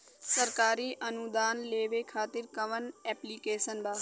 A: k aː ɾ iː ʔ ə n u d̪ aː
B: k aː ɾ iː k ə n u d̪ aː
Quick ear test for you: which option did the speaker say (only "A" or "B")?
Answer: A